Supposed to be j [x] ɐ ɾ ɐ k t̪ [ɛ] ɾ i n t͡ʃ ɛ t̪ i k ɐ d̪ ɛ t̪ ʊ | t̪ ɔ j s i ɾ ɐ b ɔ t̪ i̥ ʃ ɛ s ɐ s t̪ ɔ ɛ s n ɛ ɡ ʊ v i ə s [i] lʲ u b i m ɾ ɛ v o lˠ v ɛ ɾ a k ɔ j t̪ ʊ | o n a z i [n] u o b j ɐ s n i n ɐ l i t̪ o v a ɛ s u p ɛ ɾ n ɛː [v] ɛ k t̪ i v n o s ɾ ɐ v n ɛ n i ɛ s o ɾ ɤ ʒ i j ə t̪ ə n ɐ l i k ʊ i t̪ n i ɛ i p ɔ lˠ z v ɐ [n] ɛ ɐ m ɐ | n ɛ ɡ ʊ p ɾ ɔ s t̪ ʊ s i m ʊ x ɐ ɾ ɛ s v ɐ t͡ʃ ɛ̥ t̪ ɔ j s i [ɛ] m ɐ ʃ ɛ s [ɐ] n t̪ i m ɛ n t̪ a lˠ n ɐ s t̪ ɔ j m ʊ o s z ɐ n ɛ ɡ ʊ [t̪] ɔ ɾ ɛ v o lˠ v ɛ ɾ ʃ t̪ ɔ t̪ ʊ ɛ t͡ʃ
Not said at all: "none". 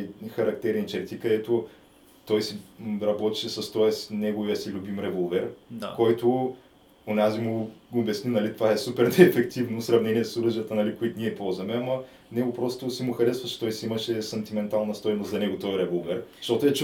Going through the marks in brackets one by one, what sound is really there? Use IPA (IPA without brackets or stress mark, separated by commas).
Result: x, ɛ, i, m, f, m, i, ɐ, t̪